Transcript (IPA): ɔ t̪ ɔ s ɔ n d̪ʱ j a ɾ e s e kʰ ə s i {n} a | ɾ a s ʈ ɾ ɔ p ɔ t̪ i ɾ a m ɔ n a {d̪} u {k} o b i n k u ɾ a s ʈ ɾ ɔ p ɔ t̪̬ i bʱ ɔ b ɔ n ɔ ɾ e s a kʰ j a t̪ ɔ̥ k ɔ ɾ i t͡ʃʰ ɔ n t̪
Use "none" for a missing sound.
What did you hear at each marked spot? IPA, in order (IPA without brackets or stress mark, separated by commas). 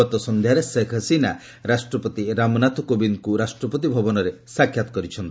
n, t̪, k